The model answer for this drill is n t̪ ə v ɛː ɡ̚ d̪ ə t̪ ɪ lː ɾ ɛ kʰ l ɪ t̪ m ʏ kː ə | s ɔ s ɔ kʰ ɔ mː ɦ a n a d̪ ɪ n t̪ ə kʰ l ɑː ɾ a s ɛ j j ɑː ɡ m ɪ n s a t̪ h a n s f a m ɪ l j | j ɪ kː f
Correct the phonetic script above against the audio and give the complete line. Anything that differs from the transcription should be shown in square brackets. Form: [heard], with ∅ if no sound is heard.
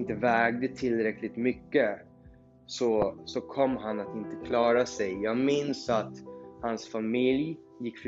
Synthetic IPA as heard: n t̪ ə v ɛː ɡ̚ d̪ ə [t̪ʰ] ɪ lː ɾ ɛ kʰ l ɪ t̪ m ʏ kː ə | s ɔ s ɔ kʰ ɔ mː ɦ a n a [t̪] ɪ n t̪ ə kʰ l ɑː ɾ a s ɛ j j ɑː ɡ m ɪ n s a t̪ h a n s f a m ɪ l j | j ɪ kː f